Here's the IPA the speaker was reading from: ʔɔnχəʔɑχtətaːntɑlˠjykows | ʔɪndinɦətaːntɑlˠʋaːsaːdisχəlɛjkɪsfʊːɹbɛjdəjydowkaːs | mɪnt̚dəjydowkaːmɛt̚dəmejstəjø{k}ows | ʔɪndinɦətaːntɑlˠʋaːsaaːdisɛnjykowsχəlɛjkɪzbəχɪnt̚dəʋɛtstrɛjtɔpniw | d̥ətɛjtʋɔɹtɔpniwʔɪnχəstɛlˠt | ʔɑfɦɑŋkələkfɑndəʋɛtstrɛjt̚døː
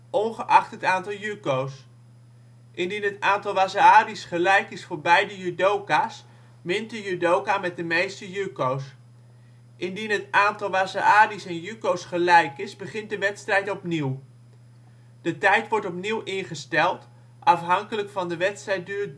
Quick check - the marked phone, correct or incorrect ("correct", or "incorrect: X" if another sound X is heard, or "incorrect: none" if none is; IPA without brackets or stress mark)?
correct